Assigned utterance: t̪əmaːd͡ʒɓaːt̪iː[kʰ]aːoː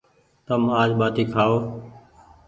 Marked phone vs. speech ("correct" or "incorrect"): correct